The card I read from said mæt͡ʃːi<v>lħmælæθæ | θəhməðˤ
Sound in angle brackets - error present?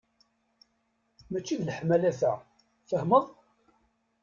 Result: yes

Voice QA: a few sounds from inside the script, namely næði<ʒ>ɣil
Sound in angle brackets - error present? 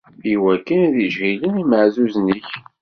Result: no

